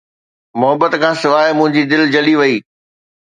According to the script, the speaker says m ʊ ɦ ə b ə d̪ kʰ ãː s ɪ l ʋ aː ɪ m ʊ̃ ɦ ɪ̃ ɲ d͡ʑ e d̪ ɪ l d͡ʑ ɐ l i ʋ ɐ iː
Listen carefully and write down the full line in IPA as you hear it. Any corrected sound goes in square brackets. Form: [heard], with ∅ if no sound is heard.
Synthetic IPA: m ʊ ɦ ə b ə [t̪] kʰ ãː s ɪ [∅] ʋ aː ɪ m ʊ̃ ɦ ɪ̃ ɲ d͡ʑ [i] d̪ ɪ l d͡ʑ ɐ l i ʋ ɐ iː